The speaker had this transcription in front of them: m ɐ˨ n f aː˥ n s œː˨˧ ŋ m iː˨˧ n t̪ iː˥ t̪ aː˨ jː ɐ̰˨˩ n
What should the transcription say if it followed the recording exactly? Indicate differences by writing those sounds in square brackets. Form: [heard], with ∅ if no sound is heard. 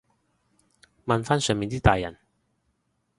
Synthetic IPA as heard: m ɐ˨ n f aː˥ n s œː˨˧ ŋ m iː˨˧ n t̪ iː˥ t̪ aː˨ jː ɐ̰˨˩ n